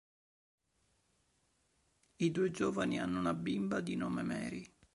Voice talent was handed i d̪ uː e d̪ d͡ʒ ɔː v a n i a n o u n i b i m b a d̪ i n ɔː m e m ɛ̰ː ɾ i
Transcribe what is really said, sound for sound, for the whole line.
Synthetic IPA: i d̪ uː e d͡ʒ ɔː v a n i a nː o u n a b i m b a d̪ i n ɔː m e m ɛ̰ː ɾ i